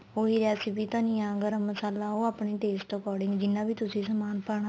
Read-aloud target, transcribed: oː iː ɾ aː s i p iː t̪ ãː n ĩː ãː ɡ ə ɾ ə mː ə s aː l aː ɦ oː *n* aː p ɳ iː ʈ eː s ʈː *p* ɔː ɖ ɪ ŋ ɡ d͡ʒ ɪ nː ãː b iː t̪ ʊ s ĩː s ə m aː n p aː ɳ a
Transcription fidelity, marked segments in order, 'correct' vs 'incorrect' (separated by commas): incorrect, incorrect